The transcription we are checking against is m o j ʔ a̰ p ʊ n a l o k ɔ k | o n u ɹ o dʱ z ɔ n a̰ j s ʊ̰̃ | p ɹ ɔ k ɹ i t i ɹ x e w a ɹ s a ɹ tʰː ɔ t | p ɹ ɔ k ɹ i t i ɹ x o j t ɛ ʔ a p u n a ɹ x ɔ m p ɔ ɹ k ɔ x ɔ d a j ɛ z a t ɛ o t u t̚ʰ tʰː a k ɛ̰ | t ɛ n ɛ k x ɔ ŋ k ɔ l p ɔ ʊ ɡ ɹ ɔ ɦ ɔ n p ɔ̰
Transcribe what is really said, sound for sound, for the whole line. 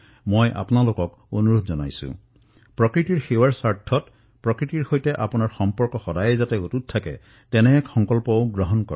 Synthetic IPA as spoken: m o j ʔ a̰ p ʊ n a l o k ɔ k | o n u ɹ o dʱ z ɔ n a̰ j s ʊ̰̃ | p ɹ ɔ k ɹ i t i ɹ x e w a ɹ s a ɹ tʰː ɔ t | p ɹ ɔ k ɹ i t i ɹ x o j t ɛ ʔ a p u n a ɹ x ɔ m p ɔ ɹ k ɔ x ɔ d a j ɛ z a t ɛ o t u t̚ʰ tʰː a k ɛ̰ | t ɛ n ɛ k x ɔ ŋ k ɔ l p ɔ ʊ ɡ ɹ ɔ ɦ ɔ n k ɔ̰